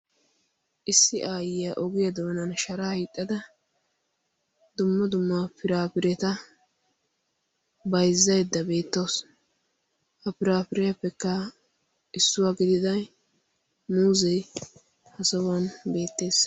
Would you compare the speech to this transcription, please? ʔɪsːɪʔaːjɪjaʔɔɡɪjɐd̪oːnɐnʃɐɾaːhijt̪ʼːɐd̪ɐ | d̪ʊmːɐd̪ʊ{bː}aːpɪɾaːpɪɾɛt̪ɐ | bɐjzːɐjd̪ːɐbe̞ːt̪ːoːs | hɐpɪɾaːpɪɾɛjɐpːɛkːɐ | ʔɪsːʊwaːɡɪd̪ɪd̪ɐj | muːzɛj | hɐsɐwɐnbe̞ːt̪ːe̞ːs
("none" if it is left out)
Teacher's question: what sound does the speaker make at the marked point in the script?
mː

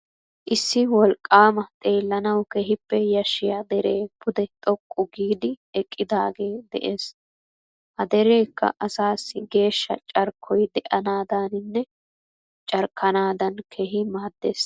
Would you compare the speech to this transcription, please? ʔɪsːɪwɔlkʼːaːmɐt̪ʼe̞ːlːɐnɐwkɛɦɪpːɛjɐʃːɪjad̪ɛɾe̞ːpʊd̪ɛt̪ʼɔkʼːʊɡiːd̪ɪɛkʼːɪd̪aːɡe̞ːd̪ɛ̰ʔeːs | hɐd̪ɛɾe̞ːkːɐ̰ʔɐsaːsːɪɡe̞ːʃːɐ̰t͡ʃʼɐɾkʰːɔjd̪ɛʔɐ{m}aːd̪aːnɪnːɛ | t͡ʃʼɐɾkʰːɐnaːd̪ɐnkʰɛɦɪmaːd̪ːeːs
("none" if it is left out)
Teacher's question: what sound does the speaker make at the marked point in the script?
n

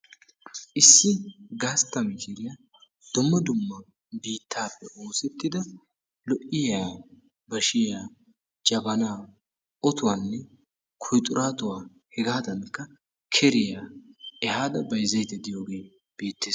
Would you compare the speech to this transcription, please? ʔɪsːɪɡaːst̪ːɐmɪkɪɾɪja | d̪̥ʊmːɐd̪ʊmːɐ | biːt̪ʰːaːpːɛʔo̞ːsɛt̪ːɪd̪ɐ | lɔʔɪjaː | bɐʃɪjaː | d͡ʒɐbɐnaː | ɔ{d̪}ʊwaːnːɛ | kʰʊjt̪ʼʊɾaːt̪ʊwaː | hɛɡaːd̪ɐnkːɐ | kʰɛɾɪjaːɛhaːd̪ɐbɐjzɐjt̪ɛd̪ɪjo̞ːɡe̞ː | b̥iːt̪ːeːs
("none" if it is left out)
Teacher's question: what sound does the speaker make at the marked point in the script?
t̪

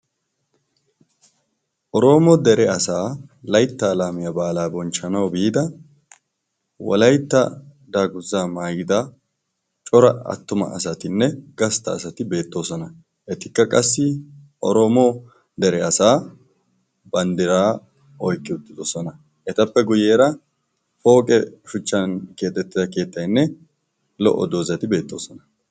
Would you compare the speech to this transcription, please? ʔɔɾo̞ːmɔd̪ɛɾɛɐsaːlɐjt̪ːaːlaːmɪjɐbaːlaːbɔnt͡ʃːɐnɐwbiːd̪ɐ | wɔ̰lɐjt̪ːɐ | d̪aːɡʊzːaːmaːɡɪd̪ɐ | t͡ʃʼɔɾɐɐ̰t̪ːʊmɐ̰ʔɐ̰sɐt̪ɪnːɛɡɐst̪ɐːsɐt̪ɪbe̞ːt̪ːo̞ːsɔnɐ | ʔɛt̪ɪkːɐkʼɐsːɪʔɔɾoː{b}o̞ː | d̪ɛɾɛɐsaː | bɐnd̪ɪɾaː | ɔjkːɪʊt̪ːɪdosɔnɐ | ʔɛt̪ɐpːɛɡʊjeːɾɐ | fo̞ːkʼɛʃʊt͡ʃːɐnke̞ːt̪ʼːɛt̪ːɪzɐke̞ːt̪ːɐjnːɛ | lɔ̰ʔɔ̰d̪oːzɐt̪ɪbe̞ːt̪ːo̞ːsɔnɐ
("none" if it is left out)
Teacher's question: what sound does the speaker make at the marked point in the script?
m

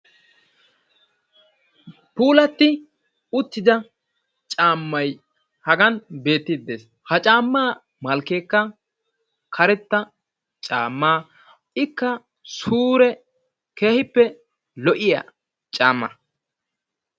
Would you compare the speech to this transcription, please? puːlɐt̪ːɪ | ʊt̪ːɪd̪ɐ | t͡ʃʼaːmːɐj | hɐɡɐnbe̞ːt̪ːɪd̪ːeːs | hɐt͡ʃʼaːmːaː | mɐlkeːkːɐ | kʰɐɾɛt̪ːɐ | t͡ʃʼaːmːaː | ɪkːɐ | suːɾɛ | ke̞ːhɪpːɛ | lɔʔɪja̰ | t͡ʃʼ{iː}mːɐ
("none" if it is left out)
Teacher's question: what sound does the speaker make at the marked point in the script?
aː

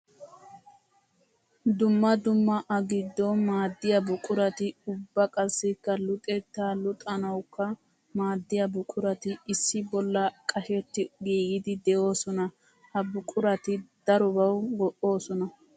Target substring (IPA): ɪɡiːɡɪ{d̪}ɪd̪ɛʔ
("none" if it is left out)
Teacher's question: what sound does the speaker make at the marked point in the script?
d̪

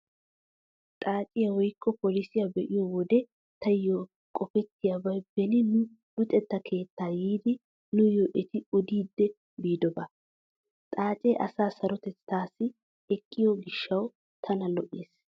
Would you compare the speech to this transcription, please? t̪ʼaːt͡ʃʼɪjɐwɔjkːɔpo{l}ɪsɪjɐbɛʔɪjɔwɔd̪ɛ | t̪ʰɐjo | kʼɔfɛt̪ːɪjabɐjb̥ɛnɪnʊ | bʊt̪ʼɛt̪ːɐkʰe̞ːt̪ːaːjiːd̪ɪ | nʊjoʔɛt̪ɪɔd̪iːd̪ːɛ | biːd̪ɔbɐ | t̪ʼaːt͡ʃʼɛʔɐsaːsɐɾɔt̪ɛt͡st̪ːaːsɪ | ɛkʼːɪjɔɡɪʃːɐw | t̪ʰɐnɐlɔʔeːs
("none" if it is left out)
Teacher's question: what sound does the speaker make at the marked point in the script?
l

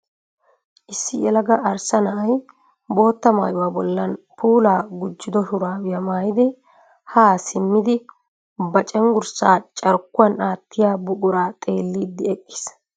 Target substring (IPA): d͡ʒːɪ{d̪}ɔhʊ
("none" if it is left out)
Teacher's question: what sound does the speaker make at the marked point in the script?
d̪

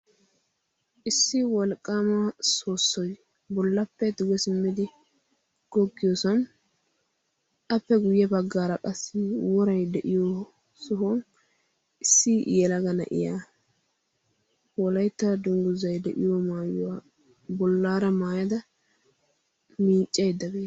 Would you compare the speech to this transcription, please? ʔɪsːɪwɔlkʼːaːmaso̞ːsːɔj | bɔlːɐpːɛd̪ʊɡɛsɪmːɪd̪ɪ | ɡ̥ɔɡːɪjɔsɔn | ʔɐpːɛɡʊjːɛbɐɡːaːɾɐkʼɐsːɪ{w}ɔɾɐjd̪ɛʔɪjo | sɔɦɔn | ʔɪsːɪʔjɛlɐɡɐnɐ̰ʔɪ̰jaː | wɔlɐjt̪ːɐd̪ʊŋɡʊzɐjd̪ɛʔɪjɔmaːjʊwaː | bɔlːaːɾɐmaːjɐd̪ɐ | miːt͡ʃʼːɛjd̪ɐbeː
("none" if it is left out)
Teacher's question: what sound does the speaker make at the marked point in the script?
w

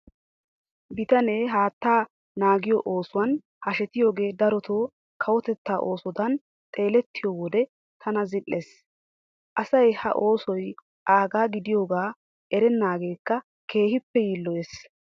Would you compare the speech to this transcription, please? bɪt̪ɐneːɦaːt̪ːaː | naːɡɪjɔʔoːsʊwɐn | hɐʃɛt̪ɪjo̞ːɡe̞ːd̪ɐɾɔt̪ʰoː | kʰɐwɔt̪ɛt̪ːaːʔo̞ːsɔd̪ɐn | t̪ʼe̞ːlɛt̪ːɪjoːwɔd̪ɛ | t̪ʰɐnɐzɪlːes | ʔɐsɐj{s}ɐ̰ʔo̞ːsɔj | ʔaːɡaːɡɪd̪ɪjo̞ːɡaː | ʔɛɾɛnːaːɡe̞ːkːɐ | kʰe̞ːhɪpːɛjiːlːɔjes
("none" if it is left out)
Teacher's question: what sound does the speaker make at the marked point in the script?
h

